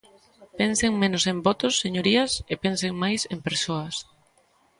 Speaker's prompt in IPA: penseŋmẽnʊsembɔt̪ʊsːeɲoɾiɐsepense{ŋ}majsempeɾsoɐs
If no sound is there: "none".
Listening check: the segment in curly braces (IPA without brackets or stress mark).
ŋ